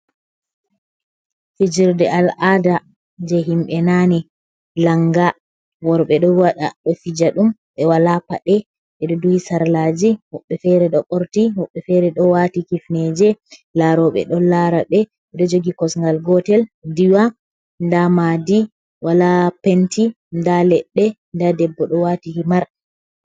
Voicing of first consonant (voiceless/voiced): voiceless